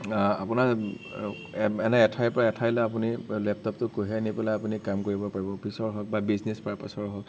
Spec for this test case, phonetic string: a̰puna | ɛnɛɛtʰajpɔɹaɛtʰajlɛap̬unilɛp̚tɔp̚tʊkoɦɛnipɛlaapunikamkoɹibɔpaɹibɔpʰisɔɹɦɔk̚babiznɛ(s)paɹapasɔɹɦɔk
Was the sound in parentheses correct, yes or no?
yes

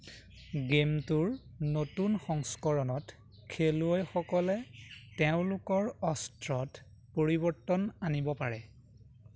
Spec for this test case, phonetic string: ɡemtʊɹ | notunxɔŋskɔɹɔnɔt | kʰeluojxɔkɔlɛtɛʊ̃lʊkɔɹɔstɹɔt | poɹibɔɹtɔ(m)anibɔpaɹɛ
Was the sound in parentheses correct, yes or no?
no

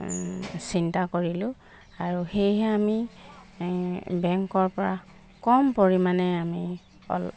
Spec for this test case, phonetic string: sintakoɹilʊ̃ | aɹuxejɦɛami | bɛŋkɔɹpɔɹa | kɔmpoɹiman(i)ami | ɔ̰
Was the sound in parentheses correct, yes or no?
no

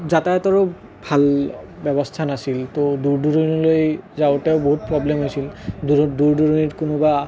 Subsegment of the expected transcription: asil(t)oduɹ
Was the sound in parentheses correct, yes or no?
yes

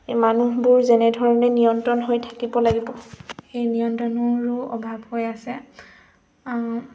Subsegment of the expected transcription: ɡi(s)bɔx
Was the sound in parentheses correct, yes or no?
no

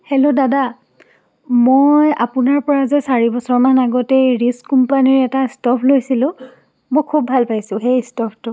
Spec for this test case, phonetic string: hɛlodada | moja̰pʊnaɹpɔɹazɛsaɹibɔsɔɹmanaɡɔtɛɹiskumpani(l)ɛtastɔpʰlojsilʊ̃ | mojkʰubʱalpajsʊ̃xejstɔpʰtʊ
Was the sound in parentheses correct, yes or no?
no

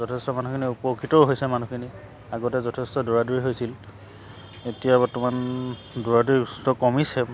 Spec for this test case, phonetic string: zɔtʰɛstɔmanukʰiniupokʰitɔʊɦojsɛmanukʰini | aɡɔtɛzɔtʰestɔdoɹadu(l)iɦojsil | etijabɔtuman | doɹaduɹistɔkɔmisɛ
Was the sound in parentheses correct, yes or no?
no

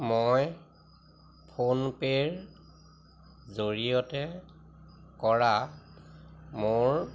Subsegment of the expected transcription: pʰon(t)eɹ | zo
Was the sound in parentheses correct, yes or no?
no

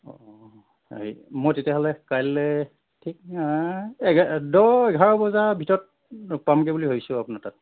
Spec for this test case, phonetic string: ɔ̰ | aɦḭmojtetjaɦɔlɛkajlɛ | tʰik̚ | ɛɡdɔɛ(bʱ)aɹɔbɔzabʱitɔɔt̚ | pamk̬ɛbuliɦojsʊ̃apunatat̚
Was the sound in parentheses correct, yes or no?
no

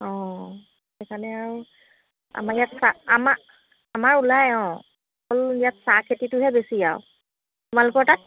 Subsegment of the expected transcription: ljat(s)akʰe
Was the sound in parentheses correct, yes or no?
yes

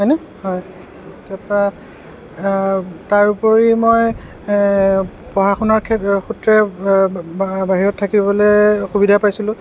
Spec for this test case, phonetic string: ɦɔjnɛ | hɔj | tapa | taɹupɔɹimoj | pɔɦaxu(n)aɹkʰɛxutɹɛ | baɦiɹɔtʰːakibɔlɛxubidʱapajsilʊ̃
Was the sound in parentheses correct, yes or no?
yes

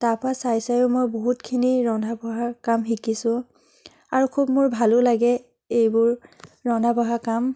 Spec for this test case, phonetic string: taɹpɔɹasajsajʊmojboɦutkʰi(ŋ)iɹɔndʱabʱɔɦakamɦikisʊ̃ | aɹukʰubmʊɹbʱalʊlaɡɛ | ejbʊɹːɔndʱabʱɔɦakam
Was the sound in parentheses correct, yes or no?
no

